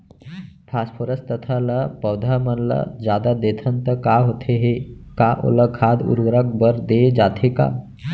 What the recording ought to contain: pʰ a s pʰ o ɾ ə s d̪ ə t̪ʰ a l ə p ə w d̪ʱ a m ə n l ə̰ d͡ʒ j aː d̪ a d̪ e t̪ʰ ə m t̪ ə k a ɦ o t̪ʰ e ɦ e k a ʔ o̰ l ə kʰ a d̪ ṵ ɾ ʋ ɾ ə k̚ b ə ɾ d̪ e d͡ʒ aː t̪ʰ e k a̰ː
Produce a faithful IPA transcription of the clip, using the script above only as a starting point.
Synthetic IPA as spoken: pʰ a s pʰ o ɾ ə s t̪ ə t̪ʰ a l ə p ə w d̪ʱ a m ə n l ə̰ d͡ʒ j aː d̪ a d̪ e t̪ʰ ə n t̪ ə k a ɦ o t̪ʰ e ɦ e k a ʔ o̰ l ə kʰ a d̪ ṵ ɾ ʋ ɾ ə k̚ b ə ɾ d̪ e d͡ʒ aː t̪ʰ e k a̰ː